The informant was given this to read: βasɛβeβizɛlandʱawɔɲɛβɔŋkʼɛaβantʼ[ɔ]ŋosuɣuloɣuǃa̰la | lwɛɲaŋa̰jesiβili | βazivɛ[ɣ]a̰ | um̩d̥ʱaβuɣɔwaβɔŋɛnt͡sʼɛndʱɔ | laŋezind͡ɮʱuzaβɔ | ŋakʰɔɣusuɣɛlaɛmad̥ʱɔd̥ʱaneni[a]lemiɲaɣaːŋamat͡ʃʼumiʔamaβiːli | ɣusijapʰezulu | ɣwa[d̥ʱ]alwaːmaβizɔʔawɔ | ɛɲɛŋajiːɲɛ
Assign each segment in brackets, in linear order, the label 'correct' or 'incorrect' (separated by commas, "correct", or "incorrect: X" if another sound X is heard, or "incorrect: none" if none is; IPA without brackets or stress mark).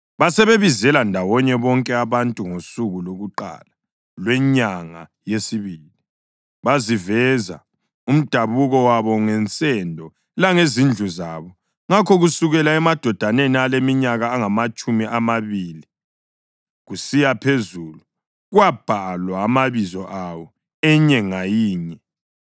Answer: incorrect: u, incorrect: z, correct, incorrect: b̥ʱ